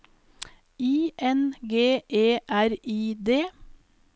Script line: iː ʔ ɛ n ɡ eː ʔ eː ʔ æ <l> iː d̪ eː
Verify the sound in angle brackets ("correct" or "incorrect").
incorrect